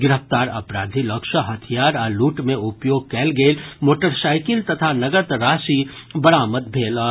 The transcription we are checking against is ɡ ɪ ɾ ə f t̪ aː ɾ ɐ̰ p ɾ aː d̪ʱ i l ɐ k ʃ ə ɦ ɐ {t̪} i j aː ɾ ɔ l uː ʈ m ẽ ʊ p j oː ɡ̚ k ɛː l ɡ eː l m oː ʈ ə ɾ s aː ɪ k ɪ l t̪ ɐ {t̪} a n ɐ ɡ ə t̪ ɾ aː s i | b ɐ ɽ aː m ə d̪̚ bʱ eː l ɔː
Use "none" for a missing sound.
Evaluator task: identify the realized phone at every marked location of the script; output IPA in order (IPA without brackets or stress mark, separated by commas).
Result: t̪ʰ, t̪ʰ